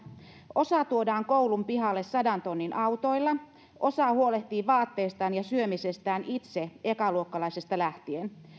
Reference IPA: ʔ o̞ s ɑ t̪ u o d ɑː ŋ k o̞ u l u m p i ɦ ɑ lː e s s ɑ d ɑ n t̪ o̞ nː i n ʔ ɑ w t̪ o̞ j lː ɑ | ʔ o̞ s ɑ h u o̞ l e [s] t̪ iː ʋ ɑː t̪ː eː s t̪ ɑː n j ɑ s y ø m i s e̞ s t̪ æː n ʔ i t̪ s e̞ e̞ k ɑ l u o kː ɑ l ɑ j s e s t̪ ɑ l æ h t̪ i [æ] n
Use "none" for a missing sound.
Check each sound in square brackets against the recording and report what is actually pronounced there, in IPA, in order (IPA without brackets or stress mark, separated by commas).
h, e